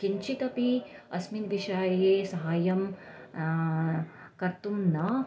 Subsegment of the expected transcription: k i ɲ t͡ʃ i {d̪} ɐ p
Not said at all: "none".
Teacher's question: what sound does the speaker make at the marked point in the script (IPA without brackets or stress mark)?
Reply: t̪